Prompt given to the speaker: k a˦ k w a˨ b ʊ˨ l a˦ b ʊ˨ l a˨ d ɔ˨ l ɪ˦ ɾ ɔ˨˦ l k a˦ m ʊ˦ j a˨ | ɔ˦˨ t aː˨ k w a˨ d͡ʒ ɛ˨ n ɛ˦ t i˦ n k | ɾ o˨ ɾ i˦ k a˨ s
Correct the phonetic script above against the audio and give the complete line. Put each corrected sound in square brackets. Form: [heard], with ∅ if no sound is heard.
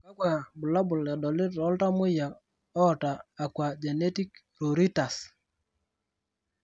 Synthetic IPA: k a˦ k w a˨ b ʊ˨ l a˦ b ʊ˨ l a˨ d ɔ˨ l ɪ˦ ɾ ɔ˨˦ l [t] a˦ m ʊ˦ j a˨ | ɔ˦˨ t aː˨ k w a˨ d͡ʒ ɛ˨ n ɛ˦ t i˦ [∅] k | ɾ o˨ ɾ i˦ [t] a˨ s